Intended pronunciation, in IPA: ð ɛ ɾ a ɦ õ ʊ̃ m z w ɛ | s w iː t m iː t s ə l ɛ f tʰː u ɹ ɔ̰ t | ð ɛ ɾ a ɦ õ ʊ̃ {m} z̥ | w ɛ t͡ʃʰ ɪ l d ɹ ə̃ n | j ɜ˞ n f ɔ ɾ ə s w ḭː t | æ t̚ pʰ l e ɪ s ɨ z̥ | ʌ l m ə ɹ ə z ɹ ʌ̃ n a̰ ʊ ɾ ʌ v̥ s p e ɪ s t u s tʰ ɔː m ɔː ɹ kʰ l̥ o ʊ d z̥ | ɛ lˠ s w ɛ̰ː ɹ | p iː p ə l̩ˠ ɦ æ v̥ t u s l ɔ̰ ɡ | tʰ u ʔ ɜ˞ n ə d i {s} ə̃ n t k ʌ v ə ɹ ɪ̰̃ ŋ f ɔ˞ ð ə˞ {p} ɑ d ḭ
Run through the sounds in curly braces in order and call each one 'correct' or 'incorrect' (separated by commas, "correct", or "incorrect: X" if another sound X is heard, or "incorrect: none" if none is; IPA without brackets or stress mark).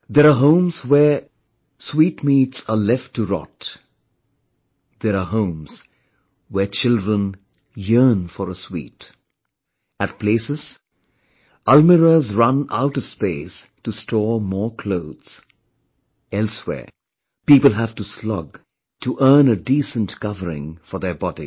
correct, correct, incorrect: b